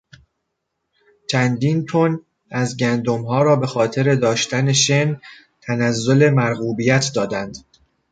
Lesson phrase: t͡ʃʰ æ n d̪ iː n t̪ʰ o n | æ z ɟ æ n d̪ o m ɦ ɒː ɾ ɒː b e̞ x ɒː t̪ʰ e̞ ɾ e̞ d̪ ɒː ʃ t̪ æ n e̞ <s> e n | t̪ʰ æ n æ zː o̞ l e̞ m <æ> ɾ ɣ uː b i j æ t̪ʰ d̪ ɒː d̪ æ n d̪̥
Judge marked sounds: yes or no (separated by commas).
no, yes